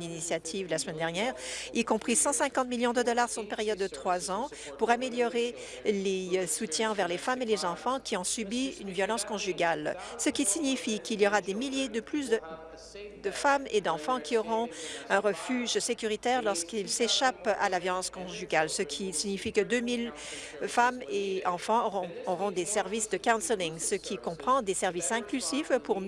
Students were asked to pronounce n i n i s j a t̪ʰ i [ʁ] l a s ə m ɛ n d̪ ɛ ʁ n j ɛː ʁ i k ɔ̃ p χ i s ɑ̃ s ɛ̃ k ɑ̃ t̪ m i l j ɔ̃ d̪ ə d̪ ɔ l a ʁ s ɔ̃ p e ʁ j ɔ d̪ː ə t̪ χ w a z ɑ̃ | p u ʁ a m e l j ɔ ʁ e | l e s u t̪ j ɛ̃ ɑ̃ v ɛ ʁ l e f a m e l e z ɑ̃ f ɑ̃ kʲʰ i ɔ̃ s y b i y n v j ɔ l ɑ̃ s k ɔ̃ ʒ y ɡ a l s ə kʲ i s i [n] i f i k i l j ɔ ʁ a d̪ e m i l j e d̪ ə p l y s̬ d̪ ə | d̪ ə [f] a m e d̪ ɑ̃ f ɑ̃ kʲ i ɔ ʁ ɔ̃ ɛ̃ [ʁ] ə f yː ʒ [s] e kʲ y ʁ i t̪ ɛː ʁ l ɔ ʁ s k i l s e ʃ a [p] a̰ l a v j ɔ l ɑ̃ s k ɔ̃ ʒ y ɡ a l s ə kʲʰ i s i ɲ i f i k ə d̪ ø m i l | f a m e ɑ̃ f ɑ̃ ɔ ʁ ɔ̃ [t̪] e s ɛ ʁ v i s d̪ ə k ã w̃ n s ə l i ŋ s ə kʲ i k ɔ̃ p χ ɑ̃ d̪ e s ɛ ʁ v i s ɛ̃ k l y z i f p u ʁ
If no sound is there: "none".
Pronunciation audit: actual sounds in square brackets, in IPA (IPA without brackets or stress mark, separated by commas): v, ɲ, f, ʁ, s, p, d̪